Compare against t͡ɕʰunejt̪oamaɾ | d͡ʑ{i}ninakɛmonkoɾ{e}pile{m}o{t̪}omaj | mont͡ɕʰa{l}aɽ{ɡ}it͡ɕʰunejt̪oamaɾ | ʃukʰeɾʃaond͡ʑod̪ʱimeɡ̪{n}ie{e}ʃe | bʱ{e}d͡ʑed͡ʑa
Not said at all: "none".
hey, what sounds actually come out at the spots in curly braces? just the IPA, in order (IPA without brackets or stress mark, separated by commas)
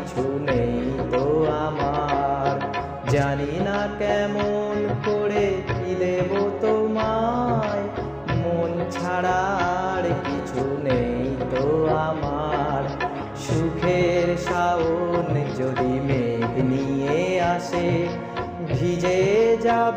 a, e, b, t̪, ɽ, k, n, a, i